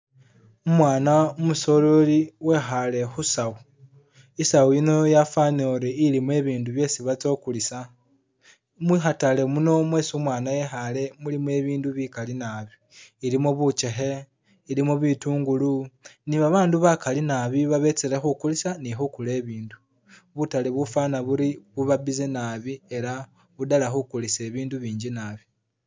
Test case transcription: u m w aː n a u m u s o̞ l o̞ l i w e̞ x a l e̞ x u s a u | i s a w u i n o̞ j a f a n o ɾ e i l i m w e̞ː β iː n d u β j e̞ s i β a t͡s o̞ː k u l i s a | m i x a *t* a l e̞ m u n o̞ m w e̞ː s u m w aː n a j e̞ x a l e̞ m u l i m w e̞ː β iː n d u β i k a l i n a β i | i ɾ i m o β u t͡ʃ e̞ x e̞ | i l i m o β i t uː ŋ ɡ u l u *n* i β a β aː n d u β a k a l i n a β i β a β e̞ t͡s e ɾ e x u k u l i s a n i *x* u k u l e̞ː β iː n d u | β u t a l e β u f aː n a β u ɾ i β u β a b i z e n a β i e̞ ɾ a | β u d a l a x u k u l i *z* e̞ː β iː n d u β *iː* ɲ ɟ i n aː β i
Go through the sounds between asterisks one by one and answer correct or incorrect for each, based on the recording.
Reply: correct, correct, correct, incorrect: s, correct

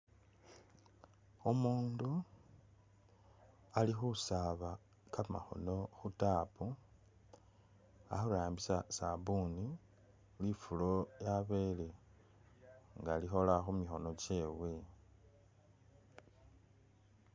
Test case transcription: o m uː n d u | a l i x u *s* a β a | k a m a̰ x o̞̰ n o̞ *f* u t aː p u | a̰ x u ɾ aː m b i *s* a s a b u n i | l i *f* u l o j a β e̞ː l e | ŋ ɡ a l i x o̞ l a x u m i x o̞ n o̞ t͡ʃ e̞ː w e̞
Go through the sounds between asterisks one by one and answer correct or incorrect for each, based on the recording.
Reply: correct, incorrect: x, correct, correct

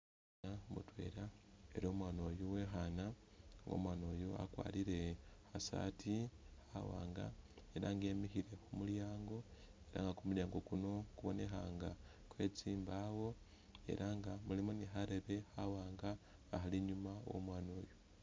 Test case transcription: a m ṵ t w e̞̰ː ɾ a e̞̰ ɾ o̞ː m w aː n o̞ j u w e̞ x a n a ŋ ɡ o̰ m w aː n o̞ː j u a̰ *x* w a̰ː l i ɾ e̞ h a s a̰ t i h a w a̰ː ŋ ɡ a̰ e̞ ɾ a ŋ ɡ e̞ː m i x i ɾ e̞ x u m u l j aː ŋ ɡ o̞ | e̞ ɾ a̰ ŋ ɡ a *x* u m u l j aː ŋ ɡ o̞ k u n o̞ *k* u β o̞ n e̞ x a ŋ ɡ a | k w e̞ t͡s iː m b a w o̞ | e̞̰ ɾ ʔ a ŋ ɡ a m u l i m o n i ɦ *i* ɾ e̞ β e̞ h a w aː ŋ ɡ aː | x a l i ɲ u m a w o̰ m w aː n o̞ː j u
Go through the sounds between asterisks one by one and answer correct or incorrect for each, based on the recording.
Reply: incorrect: k, incorrect: k, correct, incorrect: a

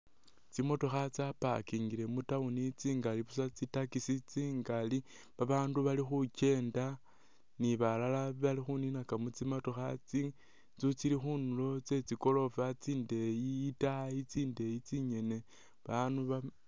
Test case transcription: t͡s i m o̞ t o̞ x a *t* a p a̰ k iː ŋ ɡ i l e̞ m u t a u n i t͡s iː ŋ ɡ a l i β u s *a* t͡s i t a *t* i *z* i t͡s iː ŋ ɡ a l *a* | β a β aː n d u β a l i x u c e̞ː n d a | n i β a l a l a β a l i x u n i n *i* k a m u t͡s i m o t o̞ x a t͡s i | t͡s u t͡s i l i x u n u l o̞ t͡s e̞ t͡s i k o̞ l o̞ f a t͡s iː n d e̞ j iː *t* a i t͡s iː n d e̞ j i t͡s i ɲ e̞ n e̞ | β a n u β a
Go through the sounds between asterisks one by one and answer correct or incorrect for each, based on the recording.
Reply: incorrect: t͡s, correct, incorrect: k, incorrect: s, incorrect: i, incorrect: a, correct

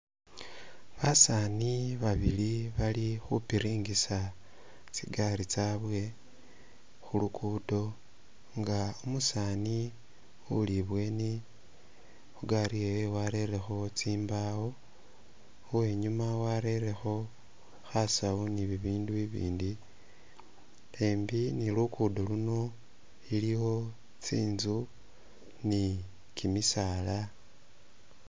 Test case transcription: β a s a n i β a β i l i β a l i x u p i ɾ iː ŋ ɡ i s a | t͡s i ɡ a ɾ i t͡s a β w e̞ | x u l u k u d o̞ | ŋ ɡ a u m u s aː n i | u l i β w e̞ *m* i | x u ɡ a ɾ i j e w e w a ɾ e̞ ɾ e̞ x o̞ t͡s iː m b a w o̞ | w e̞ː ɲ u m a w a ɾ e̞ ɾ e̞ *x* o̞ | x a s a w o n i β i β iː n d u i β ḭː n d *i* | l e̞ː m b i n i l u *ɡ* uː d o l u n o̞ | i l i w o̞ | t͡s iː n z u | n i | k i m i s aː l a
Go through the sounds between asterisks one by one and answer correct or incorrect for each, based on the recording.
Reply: incorrect: n, correct, correct, incorrect: k

